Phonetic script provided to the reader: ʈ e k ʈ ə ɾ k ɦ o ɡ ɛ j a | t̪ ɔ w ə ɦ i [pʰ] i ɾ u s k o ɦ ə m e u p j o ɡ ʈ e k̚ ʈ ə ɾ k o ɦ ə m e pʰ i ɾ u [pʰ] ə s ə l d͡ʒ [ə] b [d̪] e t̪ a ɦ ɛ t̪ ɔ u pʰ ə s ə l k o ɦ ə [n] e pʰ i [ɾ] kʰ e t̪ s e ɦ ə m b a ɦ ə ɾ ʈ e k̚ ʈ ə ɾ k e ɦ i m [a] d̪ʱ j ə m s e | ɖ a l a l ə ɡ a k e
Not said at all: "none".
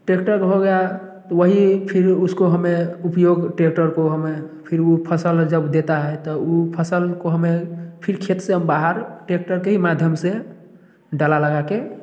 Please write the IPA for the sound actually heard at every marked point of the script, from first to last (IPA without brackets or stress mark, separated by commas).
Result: pʰ, pʰ, ə, d̪, m, ɾ, a